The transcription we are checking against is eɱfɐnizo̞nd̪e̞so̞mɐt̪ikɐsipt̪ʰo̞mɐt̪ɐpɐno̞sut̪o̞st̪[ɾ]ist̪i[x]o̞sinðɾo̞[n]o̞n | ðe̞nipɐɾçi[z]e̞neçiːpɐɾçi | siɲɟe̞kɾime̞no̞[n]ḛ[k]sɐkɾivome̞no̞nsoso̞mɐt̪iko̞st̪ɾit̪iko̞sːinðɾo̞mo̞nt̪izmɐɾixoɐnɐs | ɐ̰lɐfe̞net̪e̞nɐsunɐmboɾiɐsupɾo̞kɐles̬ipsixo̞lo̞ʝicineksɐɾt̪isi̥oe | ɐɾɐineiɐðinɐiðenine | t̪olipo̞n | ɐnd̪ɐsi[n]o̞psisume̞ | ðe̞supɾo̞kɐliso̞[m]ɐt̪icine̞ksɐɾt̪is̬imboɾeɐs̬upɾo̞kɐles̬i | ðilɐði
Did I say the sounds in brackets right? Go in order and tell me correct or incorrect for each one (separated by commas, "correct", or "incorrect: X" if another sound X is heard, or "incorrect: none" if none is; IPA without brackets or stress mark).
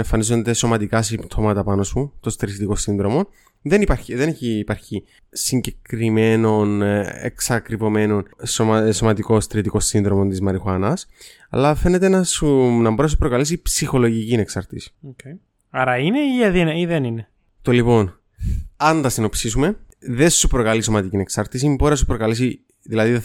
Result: correct, incorrect: k, incorrect: m, incorrect: ð, correct, correct, correct, correct